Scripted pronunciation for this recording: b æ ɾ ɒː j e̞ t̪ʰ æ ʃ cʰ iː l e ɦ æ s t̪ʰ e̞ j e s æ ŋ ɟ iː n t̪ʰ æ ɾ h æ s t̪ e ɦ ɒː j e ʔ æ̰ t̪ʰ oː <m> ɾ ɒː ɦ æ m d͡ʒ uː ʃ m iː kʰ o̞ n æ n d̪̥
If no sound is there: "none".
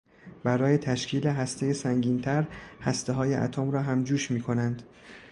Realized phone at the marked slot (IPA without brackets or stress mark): m